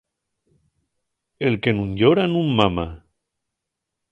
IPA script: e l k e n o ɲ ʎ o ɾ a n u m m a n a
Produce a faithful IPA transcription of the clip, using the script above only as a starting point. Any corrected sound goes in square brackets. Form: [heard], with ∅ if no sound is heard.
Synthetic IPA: e l k e n [u] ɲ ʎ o ɾ a n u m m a [m] a